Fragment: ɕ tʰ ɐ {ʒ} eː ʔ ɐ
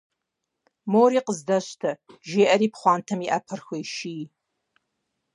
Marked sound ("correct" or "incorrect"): correct